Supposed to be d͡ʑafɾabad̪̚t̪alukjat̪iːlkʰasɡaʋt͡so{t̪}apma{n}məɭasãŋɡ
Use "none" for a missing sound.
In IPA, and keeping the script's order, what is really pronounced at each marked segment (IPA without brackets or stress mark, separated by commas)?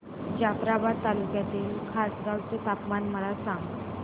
t̪, n